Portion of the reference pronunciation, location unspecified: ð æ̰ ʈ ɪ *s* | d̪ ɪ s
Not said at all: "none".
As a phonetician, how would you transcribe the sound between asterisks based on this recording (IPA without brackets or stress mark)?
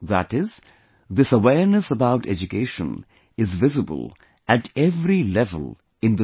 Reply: z